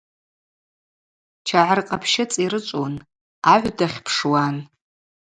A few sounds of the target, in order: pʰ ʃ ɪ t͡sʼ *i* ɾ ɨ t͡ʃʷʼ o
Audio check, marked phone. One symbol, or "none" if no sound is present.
i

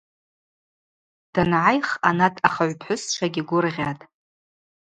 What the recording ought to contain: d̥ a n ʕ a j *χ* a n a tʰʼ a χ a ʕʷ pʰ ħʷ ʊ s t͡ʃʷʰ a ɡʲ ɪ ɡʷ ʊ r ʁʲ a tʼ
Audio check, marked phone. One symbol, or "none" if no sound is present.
χ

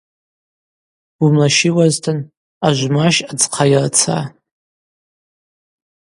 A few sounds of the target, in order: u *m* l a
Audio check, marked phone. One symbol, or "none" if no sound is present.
m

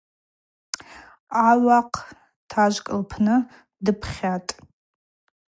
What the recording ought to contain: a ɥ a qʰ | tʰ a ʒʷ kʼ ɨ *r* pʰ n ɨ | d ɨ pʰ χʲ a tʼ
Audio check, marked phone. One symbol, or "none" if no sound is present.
l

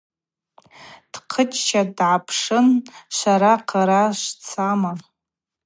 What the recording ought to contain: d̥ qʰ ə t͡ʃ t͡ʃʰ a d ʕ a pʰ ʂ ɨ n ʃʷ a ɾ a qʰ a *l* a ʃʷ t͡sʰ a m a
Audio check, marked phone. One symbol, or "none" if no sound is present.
ɾ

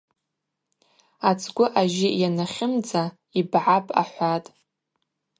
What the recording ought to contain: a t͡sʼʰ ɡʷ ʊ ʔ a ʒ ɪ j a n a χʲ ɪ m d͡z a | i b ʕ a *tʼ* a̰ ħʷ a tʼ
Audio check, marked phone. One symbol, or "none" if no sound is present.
pʼ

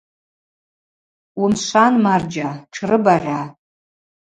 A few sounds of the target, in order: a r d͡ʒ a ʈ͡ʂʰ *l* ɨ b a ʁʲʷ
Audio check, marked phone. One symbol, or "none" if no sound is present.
r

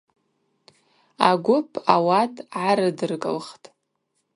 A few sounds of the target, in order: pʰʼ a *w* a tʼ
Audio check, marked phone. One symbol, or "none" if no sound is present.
w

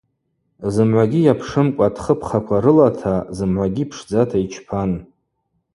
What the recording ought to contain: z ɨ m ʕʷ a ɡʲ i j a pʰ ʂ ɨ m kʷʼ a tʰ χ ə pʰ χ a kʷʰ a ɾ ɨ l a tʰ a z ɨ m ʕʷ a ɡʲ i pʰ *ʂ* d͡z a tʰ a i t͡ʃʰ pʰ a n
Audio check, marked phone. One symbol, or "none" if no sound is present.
ʂ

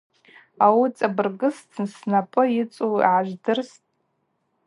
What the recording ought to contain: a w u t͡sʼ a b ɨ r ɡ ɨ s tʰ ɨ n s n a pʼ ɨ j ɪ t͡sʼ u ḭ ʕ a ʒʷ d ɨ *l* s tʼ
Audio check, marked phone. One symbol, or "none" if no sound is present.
r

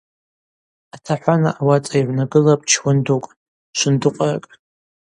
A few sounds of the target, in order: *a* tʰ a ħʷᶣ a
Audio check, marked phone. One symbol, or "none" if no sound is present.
a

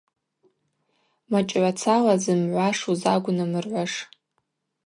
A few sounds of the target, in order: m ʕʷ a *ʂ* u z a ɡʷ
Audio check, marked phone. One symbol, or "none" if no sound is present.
ʂ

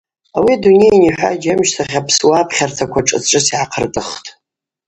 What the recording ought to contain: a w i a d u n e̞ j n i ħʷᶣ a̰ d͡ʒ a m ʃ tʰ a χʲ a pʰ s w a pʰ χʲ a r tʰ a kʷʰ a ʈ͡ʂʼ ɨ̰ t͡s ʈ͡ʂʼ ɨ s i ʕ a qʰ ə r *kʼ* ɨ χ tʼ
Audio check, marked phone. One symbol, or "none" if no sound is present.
tʼ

